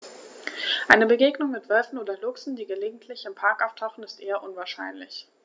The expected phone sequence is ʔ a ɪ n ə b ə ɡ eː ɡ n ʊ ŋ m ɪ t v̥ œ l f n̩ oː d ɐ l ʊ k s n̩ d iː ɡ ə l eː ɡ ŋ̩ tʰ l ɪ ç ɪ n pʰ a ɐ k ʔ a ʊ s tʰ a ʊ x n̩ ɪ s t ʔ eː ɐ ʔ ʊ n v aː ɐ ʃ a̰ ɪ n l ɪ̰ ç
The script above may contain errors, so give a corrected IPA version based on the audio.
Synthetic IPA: ʔ a ɪ n ə b ə ɡ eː ɡ n ʊ ŋ m ɪ t v̥ œ l f n̩ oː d ɐ l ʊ k s n̩ d iː ɡ ə l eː ɡ ŋ̩ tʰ l ɪ ç ɪ m pʰ a ɐ k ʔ a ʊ f tʰ a ʊ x n̩ ɪ s t ʔ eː ɐ ʔ ʊ n v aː ɐ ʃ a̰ ɪ n l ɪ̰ ç